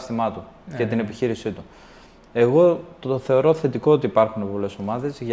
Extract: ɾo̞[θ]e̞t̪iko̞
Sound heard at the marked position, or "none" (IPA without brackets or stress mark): θ